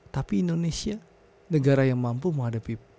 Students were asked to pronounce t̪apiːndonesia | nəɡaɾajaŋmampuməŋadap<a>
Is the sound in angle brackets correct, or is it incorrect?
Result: incorrect